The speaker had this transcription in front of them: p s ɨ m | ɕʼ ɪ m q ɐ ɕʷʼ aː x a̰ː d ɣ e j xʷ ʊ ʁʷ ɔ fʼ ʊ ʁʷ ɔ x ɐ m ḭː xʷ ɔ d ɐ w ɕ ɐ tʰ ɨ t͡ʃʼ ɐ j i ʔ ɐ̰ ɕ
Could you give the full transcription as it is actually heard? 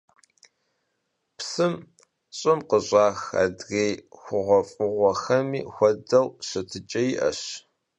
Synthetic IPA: p s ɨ m | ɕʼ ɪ m q ə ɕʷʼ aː x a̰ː d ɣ e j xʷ ʊ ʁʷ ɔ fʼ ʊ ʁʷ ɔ x ɐ m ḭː xʷ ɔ d ɐ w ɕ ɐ tʰ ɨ t͡ʃʼ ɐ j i ʔ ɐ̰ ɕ